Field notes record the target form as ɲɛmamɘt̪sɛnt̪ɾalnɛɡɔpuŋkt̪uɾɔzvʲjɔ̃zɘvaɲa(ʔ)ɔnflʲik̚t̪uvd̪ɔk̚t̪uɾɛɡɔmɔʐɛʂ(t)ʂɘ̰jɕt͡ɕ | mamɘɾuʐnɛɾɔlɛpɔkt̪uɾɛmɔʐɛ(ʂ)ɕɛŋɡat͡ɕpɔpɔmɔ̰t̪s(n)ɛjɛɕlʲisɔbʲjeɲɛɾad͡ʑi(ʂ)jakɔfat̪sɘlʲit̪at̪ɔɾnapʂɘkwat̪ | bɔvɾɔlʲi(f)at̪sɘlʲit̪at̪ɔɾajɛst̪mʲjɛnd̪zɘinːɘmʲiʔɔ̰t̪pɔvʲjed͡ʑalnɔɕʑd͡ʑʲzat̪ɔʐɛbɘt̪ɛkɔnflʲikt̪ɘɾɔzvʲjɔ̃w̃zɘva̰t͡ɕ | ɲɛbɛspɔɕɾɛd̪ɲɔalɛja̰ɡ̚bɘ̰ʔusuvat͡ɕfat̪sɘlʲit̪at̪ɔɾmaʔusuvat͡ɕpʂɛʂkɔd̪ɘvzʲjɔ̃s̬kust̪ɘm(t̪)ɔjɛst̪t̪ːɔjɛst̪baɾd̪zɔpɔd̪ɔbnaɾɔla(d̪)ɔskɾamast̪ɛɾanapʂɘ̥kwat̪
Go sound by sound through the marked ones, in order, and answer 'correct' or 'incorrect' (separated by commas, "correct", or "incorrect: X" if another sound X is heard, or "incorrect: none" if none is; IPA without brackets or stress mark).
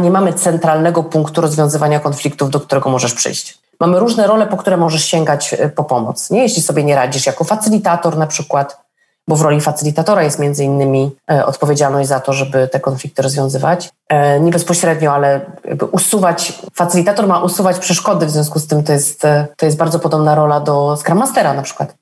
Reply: incorrect: k, incorrect: p, correct, incorrect: ɲ, correct, correct, correct, correct